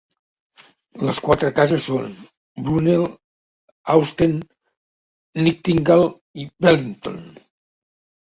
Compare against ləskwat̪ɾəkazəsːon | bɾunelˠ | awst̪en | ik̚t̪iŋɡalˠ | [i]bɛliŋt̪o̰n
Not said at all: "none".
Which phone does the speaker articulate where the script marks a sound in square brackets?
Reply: i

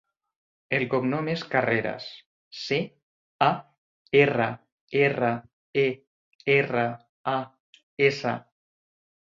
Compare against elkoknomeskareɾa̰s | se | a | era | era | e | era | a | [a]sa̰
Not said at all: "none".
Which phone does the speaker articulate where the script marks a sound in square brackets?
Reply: e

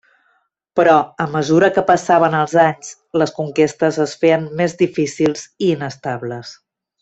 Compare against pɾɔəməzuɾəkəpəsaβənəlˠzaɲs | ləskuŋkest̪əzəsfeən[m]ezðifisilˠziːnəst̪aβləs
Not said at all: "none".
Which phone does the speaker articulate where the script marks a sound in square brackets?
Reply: m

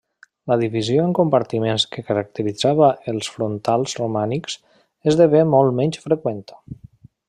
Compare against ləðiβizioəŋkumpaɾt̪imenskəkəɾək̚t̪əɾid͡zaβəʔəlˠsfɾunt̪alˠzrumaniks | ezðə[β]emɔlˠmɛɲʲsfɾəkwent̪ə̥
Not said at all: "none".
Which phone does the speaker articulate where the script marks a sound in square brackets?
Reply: β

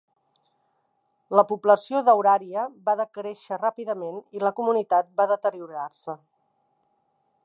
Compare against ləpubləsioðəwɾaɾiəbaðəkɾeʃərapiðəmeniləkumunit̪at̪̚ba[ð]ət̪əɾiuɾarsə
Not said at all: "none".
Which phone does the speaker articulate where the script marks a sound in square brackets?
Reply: ð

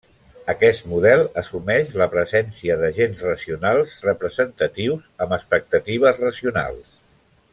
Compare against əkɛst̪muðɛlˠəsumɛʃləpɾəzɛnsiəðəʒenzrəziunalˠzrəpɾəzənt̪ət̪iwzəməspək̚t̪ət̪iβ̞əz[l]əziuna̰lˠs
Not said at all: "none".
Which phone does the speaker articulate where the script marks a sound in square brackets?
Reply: r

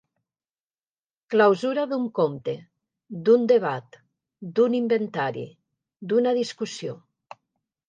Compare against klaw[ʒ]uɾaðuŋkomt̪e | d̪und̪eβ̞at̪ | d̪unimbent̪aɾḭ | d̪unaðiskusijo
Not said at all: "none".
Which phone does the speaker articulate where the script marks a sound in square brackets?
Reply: z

